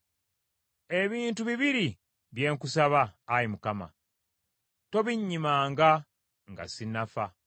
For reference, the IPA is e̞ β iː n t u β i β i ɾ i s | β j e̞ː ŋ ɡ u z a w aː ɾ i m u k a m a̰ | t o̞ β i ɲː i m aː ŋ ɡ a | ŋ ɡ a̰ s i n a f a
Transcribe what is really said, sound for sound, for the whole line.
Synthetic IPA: e̞ β iː n t u β i β i ɾ i | β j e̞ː ŋ k u s a β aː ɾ i m u k a m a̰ | t o̞ β i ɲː i m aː ŋ ɡ a | ŋ ɡ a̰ s i n a f a

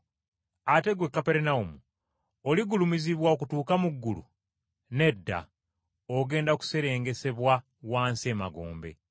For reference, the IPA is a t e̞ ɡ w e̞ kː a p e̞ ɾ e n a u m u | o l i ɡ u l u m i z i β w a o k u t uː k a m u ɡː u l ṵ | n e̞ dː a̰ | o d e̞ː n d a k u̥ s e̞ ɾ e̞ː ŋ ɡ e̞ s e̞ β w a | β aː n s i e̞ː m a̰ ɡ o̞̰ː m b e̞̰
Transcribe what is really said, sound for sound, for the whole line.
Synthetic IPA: a t e̞ ɡ w e̞ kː a p e̞ ɾ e n a u m u | o l i ɡ u l u m i z i β w a o k u t uː k a m u ɡː u l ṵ | n e̞ dː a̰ | o ɡ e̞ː n d a k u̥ s e̞ ɾ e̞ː ŋ ɡ e̞ s e̞ β w a | w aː n s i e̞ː m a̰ ɡ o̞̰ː m b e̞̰

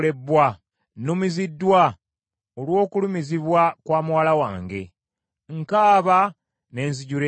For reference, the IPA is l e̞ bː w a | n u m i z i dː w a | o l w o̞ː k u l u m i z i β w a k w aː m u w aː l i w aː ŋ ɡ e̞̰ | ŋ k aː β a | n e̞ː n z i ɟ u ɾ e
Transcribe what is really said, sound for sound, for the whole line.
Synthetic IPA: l e̞ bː w a | n u m i z i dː w a | o l w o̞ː k u l u m i z i β w a k w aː m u w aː l a w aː ŋ ɡ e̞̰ | ŋ k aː β a | n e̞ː n z i ɟ u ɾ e

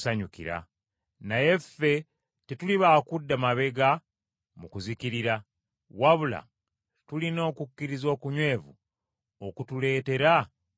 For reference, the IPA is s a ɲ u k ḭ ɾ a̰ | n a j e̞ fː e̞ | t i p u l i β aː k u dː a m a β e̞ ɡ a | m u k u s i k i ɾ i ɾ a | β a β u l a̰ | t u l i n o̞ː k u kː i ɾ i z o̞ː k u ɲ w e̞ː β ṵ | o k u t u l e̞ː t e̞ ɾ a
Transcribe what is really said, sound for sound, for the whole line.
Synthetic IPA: s a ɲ u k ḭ ɾ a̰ | n a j e̞ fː e̞ | t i t u l i β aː k u dː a m a β e̞ ɡ a | m u k u z i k i ɾ i ɾ a | w a β u l a̰ | t u l i n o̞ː k u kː i ɾ i z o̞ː k u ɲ w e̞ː v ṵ | o k u t u l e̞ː t e̞ ɾ a

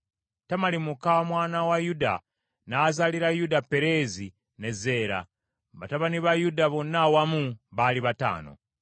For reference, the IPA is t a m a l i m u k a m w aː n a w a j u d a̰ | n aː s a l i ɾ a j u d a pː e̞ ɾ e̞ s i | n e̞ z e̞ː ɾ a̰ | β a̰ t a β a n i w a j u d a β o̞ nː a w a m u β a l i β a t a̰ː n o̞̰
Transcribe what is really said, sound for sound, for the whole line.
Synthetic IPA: t a m a l i m u k a m w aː n a w a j u d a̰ | n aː z a l i ɾ a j u d a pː e̞ ɾ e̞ z i | n e̞ z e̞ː ɾ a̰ | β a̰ t a β a n i β a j u d a β o̞ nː a w a m u β a l i β a t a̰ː n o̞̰

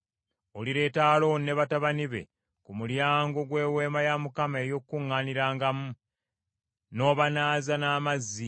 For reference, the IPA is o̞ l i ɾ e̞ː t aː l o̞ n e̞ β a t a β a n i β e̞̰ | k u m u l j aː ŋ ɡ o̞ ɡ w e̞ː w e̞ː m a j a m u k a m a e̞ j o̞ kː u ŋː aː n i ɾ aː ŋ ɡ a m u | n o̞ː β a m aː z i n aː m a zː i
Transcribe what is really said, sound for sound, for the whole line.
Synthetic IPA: o̞ l i ɾ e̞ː t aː l o̞ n e̞ β a t a β a n i β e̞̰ | k u m u l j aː ŋ ɡ o̞ ɡ w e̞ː w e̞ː m a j a m u k a m a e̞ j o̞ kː u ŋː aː n i ɾ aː ŋ ɡ a m u | n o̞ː β a n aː z a n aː m a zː i

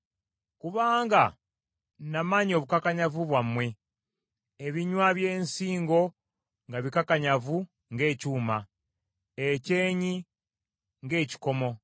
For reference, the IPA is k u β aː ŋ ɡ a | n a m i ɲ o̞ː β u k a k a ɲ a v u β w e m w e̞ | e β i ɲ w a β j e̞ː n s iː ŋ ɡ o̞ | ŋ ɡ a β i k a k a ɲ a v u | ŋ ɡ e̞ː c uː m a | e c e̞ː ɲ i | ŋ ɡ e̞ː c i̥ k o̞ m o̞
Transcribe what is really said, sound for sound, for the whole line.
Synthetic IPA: k u β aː ŋ ɡ a | n a m a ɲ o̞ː β u k a k a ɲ a v u β w a m w e̞ | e β i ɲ w a β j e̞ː n s iː ŋ ɡ o̞ | ŋ ɡ a β i k a k a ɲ a v u | ŋ ɡ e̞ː c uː m a | e c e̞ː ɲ i | ŋ ɡ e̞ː c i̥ k o̞ m o̞

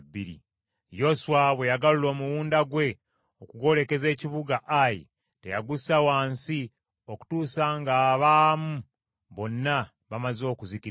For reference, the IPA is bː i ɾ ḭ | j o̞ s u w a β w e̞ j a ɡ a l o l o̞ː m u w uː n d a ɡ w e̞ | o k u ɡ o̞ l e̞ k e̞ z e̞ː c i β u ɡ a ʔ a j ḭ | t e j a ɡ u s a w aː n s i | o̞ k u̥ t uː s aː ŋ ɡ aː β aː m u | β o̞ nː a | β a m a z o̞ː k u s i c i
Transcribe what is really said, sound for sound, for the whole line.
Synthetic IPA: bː i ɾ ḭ | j o̞ s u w a β w e̞ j a ɡ a l u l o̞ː m u w uː n d a ɡ w e̞ | o k u ɡ o̞ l e̞ k e̞ z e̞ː c i β u ɡ a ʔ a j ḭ | t e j a ɡ u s a w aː n s i | o̞ k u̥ t uː s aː ŋ ɡ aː β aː m u | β o̞ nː a | β a m a z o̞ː k u z i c i

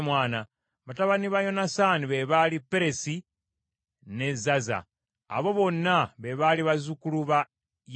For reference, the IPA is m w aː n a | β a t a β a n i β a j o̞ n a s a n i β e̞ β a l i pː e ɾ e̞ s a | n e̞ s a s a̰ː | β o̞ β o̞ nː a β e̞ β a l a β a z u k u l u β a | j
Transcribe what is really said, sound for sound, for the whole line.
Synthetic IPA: m w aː n a | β a t a β a n i β a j o̞ n a s a n i β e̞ β a l i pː e ɾ e̞ s i | n e̞ z a z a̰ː | β o̞ β o̞ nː a β e̞ β a l i β a z u k u l u β a | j

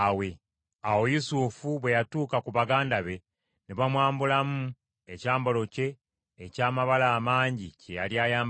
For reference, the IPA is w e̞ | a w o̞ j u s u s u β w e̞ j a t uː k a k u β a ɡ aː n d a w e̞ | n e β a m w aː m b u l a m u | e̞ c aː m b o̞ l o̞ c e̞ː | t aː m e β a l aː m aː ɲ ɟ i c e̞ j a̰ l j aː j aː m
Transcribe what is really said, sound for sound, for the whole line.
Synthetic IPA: w e̞ | a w o̞ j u s u f u β w e̞ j a t uː k a k u β a ɡ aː n d a β e̞ | n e β a m w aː m b u l a m u | e̞ c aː m b o̞ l o̞ c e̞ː | c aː m a β a l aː m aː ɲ ɟ i c e̞ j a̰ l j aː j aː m

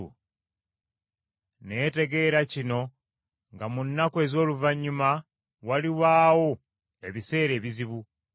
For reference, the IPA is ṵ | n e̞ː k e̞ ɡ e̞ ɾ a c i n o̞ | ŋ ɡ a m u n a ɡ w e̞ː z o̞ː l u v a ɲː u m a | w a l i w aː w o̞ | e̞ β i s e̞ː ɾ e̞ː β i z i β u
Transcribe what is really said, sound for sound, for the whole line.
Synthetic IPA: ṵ | n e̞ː t e̞ ɡ e̞ ɾ a c i n o̞ | ŋ ɡ a m u nː a k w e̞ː z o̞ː l u v a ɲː u m a | w a l i w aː w o̞ | e̞ β i s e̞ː ɾ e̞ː β i z i β u

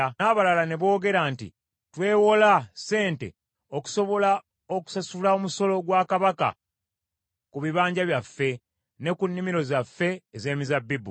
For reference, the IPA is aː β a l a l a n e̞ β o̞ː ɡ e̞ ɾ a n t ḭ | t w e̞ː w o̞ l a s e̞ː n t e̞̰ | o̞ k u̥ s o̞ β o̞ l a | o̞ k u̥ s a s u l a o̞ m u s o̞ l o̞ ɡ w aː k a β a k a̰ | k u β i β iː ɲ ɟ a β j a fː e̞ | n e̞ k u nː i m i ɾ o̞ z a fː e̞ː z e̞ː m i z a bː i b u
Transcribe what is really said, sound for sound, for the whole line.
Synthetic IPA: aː β a l a l a n e̞ β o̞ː ɡ e̞ ɾ a n t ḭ | t w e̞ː w o̞ l a s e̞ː n t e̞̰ | o̞ k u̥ s o̞ β o̞ l a | o̞ k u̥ s a s u l a o̞ m u s o̞ l o̞ ɡ w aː k a β a k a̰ | k u β i β aː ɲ ɟ a β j a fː e̞ | n e̞ k u nː i m i ɾ o̞ z a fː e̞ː z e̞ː m i z a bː i b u

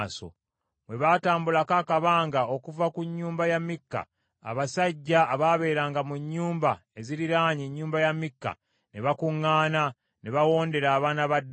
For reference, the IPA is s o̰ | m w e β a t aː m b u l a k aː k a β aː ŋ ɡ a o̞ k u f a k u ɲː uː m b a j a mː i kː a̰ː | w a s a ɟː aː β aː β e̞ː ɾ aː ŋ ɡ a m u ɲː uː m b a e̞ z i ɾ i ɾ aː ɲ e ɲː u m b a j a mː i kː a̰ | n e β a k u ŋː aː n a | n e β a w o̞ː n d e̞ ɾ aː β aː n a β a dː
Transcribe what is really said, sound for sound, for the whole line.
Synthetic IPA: s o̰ | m w e β a t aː m b u l a k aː k a β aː ŋ ɡ a o̞ k u v a k u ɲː uː m b a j a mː i kː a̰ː | β a s a ɟː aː β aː β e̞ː ɾ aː ŋ ɡ a m u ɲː uː m b a e̞ z i ɾ i ɾ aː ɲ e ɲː uː m b a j a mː i kː a̰ | n e β a k u ŋː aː n a | n e β a w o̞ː n d e̞ ɾ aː β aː n a β a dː

